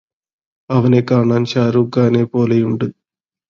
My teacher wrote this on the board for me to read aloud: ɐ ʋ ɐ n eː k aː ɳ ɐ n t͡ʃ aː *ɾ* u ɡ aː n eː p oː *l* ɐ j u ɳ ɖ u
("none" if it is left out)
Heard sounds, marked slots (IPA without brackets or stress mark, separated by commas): ɾ, l